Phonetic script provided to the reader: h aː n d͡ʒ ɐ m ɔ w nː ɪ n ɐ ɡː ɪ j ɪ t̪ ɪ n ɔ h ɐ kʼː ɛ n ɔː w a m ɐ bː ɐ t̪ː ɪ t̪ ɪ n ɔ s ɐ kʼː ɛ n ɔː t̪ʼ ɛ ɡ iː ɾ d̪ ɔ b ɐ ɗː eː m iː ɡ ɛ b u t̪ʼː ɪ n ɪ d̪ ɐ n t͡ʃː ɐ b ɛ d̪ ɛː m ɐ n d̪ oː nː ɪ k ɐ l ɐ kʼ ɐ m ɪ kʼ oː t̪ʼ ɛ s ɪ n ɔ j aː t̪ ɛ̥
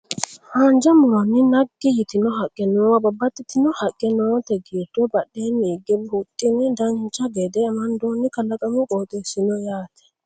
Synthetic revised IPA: h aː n d͡ʒ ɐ m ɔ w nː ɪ n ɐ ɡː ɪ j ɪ t̪ ɪ n ɔ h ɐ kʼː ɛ n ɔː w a b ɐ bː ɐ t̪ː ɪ t̪ ɪ n ɔ h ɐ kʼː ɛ n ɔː t̪ ɛ ɡ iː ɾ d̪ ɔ b ɐ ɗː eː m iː ɡ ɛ b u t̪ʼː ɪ n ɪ d̪ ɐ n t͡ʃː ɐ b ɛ d̪ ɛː m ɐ n d̪ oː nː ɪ k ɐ l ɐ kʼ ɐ m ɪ kʼ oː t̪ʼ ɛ s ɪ n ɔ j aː t̪ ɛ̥

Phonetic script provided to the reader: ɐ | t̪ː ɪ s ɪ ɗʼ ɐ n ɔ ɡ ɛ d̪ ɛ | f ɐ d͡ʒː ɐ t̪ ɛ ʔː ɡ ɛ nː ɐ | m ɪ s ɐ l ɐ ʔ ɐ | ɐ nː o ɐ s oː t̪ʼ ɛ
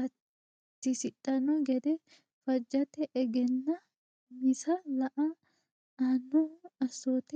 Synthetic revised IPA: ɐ | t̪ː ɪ s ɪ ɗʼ ɐ n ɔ ɡ ɛ d̪ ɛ | f ɐ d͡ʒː ɐ t̪ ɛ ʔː ɡ ɛ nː ɐ | m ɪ s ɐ l ɐ ʔ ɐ | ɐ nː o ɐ s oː t̪ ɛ

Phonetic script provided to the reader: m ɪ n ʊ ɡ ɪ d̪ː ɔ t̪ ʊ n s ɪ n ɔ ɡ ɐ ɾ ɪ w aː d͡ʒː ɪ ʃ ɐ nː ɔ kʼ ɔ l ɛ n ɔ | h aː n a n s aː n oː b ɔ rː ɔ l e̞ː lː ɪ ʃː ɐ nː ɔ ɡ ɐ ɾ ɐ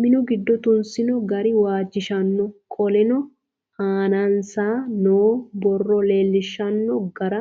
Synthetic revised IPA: m ɪ n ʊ ɡ ɪ d̪ː ɔ t̪ ʊ n s ɪ n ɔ ɡ ɐ ɾ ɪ w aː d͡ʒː ɪ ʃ ɐ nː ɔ kʼ ɔ l ɛ n ɔ | h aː n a n s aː n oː b ɔ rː ɔ l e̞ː lː ɪ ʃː ɐ nː ɔ ɡ ɐ ɾ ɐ

